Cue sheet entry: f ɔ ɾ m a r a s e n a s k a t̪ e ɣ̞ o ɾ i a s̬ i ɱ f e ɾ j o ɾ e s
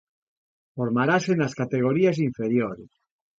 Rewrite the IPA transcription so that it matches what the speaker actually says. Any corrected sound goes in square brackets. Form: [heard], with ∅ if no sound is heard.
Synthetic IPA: f [o] ɾ m a [ɾ] a s e n a s k a t̪ e ɣ̞ o ɾ i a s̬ i ɱ f e ɾ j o ɾ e s